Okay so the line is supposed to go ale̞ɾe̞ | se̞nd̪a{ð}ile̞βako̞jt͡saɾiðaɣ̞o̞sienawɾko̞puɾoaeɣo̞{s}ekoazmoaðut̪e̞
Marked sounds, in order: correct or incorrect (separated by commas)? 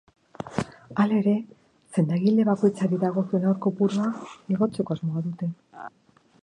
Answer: incorrect, incorrect